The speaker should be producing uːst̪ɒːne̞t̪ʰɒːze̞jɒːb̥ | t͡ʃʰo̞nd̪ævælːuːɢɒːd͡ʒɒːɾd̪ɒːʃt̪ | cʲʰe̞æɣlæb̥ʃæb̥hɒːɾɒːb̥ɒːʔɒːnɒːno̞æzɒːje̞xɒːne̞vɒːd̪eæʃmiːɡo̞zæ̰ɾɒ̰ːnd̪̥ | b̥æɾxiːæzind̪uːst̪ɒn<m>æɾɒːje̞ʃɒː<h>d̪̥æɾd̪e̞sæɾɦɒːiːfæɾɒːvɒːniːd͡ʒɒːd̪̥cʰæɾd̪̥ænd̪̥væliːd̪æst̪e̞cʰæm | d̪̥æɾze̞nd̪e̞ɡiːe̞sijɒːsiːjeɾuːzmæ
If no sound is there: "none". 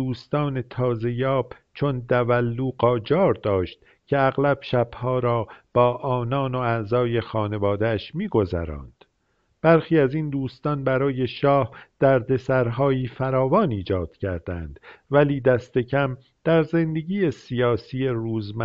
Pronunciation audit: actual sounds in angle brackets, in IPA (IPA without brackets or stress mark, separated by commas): b, h